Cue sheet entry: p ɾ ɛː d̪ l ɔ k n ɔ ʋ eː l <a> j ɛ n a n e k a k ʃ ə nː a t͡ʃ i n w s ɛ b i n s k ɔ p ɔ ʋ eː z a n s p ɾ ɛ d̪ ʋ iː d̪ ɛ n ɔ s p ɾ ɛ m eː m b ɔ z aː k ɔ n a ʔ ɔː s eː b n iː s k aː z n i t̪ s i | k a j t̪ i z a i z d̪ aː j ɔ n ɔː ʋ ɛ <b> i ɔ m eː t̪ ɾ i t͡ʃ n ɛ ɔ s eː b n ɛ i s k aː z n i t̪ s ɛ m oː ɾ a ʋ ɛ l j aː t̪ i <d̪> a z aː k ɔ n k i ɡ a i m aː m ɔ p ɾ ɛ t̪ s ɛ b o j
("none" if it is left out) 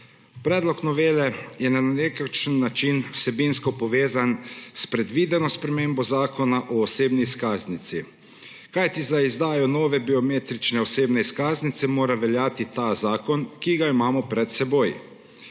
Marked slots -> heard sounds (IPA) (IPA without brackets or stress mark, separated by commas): ɛ, b, t̪